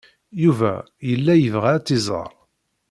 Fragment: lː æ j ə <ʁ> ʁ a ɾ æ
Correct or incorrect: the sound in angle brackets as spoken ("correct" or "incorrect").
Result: incorrect